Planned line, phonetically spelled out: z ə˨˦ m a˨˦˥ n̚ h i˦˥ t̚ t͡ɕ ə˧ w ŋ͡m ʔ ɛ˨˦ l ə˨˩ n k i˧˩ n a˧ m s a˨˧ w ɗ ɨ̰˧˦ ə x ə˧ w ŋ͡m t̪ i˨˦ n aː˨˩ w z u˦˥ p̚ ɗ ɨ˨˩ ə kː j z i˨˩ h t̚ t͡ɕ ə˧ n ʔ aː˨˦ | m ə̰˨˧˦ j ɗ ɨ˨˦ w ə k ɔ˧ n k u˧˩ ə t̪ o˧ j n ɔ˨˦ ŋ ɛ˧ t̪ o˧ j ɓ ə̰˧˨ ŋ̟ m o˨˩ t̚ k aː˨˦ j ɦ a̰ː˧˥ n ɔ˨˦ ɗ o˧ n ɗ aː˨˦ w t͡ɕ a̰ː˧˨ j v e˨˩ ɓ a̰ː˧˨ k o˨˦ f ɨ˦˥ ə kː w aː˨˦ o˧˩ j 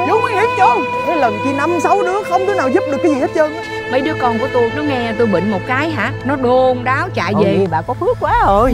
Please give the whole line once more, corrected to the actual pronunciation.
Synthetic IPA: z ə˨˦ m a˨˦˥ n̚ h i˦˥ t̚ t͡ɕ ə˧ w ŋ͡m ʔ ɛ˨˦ l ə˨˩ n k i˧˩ n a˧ m s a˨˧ w ɗ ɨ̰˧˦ ə x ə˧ w ŋ͡m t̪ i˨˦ n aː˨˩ w z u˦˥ p̚ ɗ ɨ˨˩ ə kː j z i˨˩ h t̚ t͡ɕ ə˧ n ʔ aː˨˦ | m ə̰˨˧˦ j ɗ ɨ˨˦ ə k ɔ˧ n k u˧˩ ə t̪ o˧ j n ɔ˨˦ ŋ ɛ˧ t̪ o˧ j ɓ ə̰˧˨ ŋ̟ m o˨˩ t̚ k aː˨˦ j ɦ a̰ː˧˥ n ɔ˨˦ ɗ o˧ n ɗ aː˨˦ w t͡ɕ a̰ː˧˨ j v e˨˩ ɓ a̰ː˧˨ k ɔ˨˦ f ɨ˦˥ ə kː w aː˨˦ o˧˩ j